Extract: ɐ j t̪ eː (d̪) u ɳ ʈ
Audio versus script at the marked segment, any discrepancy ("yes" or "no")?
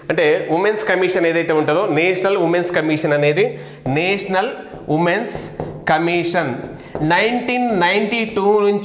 yes